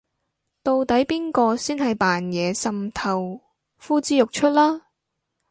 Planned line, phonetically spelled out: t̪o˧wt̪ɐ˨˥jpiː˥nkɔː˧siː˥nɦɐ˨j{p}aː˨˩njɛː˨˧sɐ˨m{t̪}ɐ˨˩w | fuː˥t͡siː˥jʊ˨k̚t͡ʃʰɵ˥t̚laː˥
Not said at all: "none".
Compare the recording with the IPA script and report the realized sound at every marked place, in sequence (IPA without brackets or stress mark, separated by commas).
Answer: p, t̪ʰ